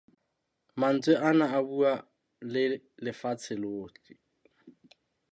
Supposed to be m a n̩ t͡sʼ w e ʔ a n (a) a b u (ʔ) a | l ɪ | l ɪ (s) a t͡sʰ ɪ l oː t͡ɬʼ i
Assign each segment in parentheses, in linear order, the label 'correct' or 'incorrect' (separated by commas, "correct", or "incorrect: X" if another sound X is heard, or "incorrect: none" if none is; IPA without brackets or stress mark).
correct, incorrect: none, incorrect: f